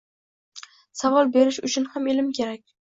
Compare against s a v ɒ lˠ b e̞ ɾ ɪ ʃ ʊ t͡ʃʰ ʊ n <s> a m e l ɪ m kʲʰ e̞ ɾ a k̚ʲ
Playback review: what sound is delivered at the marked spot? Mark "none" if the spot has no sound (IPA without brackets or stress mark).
h